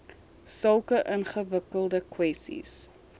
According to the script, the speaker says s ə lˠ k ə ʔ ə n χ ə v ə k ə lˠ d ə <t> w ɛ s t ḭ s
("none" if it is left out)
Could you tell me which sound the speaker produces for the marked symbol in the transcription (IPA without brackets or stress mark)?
k